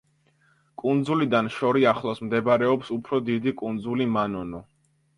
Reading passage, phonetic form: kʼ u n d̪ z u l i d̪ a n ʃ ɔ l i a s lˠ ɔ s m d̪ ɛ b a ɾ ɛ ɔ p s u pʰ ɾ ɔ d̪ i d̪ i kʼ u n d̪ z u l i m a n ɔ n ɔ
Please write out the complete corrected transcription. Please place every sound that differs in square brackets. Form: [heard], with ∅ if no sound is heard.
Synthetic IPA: kʼ u n d̪ z u l i d̪ a n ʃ ɔ [ɾ] i a [χ] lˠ ɔ s m d̪ ɛ b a ɾ ɛ ɔ p s u pʰ ɾ ɔ d̪ i d̪ i kʼ u n d̪ z u l i m a n ɔ n ɔ